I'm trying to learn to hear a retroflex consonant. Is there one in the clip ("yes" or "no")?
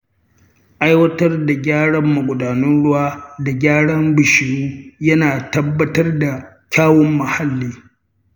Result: yes